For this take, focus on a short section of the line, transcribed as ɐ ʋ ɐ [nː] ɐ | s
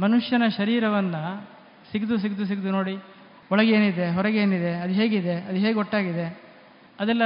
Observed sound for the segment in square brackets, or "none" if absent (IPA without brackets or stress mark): nː